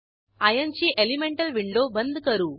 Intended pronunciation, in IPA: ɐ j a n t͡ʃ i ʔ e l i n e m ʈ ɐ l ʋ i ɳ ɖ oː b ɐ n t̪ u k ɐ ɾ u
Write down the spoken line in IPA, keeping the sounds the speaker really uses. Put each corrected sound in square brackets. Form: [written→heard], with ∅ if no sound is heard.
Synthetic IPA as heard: ɐ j [a→ɐ] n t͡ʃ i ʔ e l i [n→m] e [m→ɳ] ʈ ɐ l ʋ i ɳ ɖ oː b ɐ n [t̪→d̪] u k ɐ ɾ u